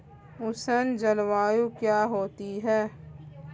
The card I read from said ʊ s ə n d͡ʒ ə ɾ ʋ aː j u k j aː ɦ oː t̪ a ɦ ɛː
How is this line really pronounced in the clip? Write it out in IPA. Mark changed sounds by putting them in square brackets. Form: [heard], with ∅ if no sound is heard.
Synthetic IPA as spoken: ʊ s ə n d͡ʒ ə [l] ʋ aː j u k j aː ɦ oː t̪ [i] ɦ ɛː